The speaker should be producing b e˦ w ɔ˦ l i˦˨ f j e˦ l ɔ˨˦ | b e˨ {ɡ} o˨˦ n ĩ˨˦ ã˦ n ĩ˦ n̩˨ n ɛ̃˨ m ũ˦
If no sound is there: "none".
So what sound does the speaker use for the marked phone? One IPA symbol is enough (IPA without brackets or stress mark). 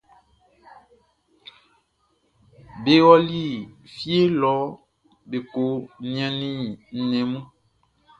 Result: k